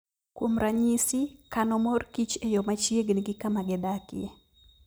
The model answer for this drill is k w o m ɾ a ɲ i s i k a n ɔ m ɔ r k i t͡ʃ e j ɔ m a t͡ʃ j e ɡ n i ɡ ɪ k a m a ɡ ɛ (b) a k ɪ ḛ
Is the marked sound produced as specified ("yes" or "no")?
no